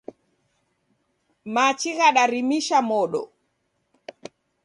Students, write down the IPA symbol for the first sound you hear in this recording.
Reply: m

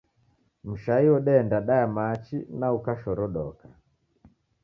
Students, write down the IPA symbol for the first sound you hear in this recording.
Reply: m̩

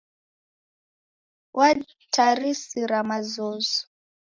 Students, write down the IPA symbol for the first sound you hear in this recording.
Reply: w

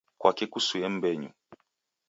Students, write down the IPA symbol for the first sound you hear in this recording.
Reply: k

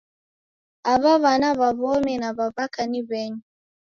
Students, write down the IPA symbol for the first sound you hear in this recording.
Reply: a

